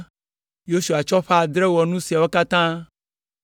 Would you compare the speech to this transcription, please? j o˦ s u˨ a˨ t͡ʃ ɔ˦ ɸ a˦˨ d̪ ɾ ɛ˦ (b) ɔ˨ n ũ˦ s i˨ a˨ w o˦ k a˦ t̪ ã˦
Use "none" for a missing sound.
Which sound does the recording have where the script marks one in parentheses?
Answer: w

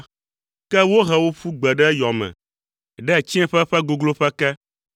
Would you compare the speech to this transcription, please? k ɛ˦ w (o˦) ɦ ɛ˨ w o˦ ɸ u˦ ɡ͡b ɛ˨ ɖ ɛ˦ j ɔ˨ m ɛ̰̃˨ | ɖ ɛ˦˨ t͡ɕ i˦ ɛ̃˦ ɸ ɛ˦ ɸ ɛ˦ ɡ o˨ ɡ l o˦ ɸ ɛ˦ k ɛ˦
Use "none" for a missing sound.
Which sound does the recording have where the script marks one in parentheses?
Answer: o˦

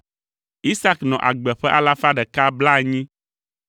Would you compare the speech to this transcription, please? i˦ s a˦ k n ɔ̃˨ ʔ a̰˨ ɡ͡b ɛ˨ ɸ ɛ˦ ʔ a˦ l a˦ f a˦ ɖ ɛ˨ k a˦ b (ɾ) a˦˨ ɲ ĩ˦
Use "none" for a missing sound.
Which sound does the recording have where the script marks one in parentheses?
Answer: l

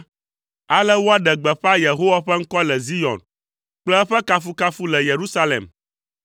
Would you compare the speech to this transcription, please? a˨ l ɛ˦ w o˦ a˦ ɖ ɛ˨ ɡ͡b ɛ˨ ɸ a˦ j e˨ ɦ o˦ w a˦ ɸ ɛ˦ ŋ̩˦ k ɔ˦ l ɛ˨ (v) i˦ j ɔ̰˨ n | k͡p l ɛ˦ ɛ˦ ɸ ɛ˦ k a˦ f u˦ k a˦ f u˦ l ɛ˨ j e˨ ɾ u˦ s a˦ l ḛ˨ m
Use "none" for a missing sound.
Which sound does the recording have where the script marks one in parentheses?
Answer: z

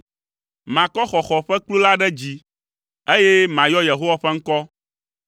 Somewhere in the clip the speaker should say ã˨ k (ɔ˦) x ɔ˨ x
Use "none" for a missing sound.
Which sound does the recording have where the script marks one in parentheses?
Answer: ɔ˦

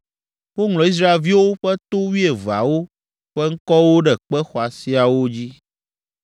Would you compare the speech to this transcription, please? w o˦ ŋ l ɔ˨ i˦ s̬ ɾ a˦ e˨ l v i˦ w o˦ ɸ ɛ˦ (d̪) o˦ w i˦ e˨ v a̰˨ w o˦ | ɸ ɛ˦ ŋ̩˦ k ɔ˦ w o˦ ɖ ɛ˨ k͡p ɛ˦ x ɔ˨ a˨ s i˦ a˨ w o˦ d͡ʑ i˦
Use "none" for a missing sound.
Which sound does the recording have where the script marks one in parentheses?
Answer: t̪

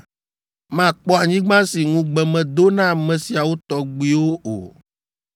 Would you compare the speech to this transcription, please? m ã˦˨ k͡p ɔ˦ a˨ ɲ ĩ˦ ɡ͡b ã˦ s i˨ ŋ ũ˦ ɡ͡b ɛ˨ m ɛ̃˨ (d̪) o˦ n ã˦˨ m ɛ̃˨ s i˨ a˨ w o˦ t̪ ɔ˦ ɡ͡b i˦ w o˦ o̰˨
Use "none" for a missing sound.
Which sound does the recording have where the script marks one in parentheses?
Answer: d̪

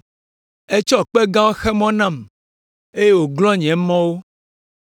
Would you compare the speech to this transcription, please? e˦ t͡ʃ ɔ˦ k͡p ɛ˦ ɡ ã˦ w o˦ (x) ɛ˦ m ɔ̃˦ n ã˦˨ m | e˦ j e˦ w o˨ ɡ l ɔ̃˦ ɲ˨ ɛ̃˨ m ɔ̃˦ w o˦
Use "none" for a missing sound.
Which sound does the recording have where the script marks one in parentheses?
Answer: x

